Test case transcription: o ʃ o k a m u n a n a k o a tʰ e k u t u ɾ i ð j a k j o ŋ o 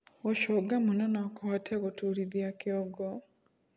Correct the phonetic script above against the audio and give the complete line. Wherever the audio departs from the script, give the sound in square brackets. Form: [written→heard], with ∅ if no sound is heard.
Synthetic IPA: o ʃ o [k→ɡ] a m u n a n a k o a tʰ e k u t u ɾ i ð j a k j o [ŋ→ɡ] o